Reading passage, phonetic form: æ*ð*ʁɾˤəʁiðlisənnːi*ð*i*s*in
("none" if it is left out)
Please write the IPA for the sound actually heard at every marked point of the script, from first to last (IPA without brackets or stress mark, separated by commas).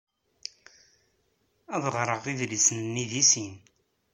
ð, ð, s